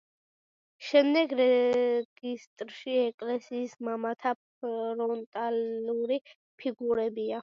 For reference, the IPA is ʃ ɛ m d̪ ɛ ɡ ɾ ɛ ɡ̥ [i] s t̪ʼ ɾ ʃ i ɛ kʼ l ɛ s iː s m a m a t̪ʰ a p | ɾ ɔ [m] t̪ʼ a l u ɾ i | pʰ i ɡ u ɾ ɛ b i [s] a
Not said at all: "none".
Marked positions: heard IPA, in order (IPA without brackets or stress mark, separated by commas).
i, n, none